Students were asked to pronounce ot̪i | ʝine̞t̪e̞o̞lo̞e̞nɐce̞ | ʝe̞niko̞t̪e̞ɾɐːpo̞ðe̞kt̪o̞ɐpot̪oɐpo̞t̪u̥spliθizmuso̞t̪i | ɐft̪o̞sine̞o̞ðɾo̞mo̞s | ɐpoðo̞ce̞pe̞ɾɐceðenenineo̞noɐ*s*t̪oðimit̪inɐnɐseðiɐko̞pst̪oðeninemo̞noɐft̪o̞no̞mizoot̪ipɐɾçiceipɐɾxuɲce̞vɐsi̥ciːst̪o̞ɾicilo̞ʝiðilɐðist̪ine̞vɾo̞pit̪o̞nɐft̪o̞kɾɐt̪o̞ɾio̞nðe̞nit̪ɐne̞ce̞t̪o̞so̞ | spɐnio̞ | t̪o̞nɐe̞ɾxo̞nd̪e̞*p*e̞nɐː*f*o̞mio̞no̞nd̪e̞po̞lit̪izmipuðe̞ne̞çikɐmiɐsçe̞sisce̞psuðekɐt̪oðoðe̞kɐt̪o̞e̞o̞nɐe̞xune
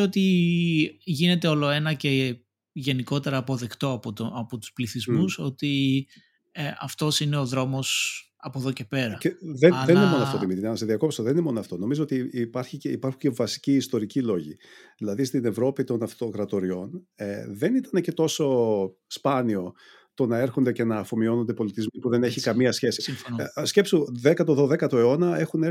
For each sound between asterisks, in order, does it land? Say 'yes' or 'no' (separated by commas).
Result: no, no, yes